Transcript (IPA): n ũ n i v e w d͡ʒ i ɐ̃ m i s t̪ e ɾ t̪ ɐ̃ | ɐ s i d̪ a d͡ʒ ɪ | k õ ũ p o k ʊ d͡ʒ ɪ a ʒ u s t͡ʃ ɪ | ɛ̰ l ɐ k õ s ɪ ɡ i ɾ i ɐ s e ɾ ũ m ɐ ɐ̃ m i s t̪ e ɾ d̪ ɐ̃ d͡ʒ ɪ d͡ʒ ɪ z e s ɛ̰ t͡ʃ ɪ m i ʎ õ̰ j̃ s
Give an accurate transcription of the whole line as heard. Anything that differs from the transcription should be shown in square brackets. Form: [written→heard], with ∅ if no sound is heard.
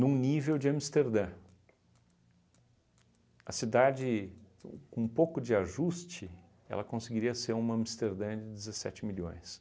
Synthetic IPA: n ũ n i v e w d͡ʒ [i→ɪ] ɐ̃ m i s t̪ e ɾ [t̪→d̪] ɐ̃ | ɐ s i d̪ a d͡ʒ ɪ | k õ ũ p o k ʊ d͡ʒ ɪ a ʒ u s t͡ʃ ɪ | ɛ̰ l ɐ k õ s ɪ ɡ i ɾ i ɐ s e ɾ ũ m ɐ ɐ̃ m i s t̪ e ɾ d̪ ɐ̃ d͡ʒ ɪ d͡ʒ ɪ z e s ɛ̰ t͡ʃ ɪ m i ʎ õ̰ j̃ s